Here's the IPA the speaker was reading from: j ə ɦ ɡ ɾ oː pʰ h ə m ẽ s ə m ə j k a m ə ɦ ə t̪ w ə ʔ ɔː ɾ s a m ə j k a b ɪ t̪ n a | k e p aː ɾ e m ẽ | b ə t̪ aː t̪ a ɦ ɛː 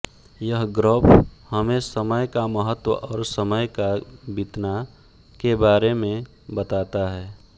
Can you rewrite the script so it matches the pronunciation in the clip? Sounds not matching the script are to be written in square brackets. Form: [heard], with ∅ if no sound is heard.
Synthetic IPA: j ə ɦ ɡ ɾ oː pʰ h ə m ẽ s ə m ə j k a m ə ɦ ə t̪ w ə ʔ ɔː ɾ s [ə] m ə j k a b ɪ t̪ n a | k e [b] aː ɾ e m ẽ | b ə t̪ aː t̪ a ɦ ɛː